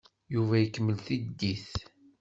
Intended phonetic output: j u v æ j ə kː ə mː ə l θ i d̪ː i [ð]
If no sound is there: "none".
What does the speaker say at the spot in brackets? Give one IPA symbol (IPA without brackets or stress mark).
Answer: θ